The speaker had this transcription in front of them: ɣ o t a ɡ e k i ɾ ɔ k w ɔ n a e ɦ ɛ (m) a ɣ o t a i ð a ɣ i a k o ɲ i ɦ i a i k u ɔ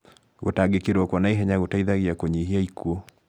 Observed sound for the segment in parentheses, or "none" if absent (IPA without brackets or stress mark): ɲ